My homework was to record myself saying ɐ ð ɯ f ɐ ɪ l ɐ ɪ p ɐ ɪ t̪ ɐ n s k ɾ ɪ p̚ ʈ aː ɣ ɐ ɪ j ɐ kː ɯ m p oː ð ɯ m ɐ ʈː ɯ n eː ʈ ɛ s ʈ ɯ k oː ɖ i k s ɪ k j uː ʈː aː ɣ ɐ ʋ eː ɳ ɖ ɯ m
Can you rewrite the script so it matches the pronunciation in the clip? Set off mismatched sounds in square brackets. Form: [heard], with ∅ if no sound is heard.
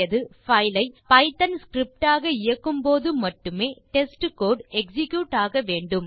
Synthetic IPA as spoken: ɐ ð ɯ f ɐ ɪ l ɐ ɪ p ɐ ɪ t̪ ɐ n s k ɾ ɪ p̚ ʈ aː ɣ ɐ ɪ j ɐ kː ɯ m p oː ð ɯ m ɐ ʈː ɯ [m] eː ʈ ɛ s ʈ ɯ k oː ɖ [ɛ] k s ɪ k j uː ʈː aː ɣ ɐ ʋ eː ɳ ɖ ɯ m